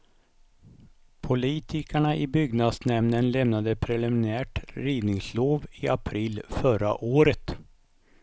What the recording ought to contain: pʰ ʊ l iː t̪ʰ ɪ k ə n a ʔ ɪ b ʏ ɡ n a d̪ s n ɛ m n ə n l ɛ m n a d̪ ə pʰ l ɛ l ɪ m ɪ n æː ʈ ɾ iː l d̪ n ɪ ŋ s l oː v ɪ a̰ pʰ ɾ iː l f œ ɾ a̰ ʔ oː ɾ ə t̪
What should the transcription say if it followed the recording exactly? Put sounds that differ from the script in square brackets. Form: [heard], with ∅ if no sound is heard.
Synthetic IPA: pʰ ʊ l iː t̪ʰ ɪ k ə [ɳ] a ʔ ɪ b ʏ ɡ n a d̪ s n ɛ m n ə n l ɛ m n a d̪ ə pʰ [ɾ] ɛ l ɪ m ɪ n æː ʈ ɾ iː [∅] d̪ n ɪ ŋ s l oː v ɪ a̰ pʰ ɾ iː l f œ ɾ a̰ ʔ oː ɾ ə t̪